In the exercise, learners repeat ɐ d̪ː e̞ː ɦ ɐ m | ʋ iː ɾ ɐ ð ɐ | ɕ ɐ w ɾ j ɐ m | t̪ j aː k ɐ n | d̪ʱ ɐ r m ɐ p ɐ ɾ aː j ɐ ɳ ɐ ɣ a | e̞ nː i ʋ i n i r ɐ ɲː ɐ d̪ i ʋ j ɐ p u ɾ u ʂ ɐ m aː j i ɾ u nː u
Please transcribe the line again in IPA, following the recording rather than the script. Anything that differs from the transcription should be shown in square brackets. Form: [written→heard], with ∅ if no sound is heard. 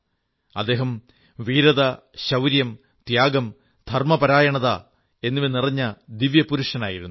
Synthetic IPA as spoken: ɐ d̪ː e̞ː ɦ ɐ m | ʋ iː ɾ ɐ ð ɐ | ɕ ɐ w ɾ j ɐ m | t̪ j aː [k→ɡ] ɐ [n→m] | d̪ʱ ɐ r m ɐ p ɐ ɾ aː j ɐ ɳ ɐ [ɣ→ð] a | e̞ nː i ʋ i n i r ɐ ɲː ɐ d̪ i ʋ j ɐ p u ɾ u ʂ ɐ [m→n] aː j i ɾ u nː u